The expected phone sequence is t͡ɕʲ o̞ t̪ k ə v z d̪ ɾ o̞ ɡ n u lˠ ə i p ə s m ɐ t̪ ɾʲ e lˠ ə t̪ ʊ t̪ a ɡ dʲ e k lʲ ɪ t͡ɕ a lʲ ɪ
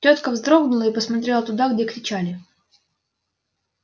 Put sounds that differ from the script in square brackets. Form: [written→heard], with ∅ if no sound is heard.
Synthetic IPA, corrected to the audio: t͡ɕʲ o̞ t̪ k ə v z d̪ ɾ o̞ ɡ n [u→ʊ] lˠ ə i p ə s m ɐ t̪ ɾʲ e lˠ ə t̪ ʊ [t̪→d̪] a ɡ dʲ e k [lʲ→ɾʲ] ɪ t͡ɕ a lʲ ɪ

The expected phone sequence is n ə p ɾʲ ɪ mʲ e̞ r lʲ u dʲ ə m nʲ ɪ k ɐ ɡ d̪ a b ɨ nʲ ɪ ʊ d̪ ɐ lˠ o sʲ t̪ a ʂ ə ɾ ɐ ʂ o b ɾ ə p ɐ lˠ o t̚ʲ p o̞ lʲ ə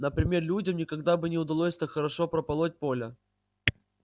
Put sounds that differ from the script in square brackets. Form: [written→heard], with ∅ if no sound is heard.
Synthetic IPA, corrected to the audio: n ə p ɾʲ ɪ mʲ e̞ r lʲ u dʲ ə m nʲ ɪ k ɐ ɡ d̪ a b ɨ nʲ ɪ ʊ d̪ ɐ lˠ o sʲ t̪ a [ʂ→x] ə ɾ ɐ ʂ o [b→p] ɾ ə p ɐ lˠ o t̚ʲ p o̞ lʲ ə

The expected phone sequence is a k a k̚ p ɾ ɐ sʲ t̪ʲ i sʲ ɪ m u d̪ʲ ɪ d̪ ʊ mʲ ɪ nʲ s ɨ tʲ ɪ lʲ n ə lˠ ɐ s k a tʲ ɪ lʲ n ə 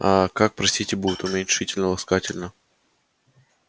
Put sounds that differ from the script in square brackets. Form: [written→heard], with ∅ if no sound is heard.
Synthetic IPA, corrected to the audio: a k a k̚ p ɾ ɐ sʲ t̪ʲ i [sʲ→tʲ] ɪ [m→b] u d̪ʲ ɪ [d̪→t̪] ʊ mʲ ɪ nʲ [s→ʂ] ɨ tʲ ɪ lʲ n ə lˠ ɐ s k a tʲ ɪ lʲ n ə

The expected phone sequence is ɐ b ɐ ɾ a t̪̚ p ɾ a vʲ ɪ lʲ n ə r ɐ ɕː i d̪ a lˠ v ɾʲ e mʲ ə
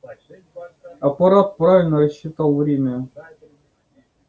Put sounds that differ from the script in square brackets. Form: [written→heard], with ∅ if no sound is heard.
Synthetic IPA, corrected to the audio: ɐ [b→p] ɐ ɾ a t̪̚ p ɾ a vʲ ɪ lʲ n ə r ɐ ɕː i [d̪→t̪] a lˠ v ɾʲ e mʲ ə

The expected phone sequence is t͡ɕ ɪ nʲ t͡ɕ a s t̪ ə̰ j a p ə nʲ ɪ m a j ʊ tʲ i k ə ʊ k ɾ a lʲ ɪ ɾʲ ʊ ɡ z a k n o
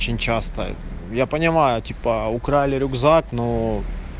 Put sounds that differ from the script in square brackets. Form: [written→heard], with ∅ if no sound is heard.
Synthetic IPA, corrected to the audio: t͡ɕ ɪ nʲ t͡ɕ a s t̪ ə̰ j a p ə nʲ ɪ m a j ʊ tʲ i [k→p] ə ʊ k ɾ a lʲ ɪ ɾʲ ʊ ɡ z a k n o

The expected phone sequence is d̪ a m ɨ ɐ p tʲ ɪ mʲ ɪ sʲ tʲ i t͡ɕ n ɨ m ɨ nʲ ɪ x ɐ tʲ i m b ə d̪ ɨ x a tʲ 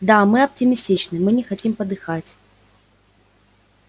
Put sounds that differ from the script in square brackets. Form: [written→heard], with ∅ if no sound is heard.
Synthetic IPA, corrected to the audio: d̪ a m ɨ ɐ p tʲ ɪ mʲ ɪ sʲ tʲ i t͡ɕ n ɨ m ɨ nʲ ɪ x ɐ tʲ i m [b→p] ə d̪ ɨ x a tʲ

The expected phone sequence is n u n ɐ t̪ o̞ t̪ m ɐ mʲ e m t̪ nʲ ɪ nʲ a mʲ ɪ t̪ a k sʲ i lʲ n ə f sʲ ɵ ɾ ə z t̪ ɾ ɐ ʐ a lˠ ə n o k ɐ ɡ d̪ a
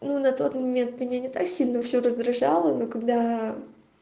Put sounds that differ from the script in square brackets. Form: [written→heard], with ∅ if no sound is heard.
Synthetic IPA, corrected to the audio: n u n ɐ t̪ o̞ t̪ m ɐ mʲ e [m→n] t̪ [nʲ→mʲ] ɪ nʲ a [mʲ→nʲ] ɪ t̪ a k sʲ i lʲ n ə f sʲ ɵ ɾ ə z [t̪→d̪] ɾ ɐ ʐ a lˠ ə n o k ɐ ɡ d̪ a

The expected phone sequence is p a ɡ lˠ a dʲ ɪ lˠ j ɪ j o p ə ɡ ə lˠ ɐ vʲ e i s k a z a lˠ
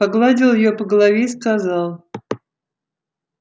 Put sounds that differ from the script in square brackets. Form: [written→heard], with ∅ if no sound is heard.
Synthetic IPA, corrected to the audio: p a ɡ lˠ a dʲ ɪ lˠ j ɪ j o p ə ɡ ə lˠ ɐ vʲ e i s k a z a lˠ

